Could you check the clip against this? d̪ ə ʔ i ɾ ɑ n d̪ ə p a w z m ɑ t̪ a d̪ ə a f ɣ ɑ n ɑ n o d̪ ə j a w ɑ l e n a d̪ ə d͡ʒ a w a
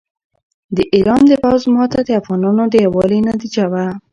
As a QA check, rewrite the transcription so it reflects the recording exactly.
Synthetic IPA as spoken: d̪ ə ʔ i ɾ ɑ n d̪ ə p a w z m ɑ t̪ a d̪ ə a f ɣ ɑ n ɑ n o d̪ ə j a w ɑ l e n a d̪ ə d͡ʒ a w a